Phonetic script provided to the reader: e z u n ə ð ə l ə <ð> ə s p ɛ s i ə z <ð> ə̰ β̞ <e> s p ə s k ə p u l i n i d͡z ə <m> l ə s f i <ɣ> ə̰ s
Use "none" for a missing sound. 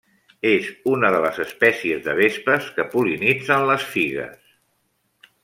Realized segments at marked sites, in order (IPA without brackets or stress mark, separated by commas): z, ð, e, n, ɣ